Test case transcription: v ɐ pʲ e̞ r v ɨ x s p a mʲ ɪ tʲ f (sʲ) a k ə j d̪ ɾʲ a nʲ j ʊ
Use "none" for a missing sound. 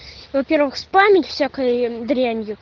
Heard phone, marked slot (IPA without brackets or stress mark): sʲ